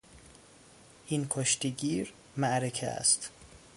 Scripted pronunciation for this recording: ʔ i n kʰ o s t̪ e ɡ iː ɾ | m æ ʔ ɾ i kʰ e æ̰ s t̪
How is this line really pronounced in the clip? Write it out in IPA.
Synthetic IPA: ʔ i n kʰ o ʃ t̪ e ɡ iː ɾ | m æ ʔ ɾ e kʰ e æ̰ s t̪